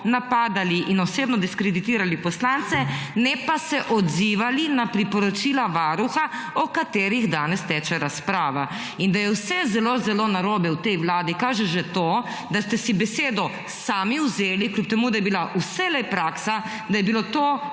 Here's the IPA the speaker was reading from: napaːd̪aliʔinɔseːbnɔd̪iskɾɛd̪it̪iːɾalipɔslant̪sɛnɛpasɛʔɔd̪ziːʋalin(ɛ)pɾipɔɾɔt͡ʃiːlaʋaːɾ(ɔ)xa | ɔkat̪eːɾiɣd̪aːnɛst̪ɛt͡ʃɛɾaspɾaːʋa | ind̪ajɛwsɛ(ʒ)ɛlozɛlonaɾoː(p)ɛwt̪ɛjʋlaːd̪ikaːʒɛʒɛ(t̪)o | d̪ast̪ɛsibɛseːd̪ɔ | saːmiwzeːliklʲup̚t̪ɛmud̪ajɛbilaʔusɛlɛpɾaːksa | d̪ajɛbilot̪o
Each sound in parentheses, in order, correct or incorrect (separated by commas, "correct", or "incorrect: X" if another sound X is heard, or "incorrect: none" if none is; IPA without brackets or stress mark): incorrect: a, incorrect: u, incorrect: z, incorrect: b, correct